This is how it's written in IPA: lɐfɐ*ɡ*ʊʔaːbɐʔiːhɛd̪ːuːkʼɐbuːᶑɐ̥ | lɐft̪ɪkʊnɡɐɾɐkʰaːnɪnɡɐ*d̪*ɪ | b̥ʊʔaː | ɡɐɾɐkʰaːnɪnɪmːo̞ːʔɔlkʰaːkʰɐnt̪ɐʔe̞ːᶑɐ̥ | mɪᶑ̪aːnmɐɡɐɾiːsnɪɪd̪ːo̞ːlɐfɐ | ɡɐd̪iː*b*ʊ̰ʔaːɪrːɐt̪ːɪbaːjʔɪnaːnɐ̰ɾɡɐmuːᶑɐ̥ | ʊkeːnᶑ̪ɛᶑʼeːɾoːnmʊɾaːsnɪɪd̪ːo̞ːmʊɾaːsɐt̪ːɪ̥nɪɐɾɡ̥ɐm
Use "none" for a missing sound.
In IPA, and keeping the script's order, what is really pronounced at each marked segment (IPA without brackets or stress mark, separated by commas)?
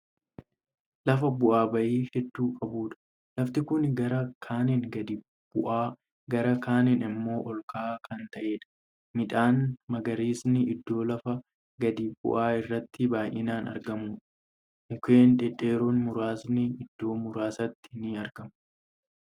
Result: b, d̪, b